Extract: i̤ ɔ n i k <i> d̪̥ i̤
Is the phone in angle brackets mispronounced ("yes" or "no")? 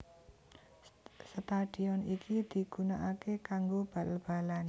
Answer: no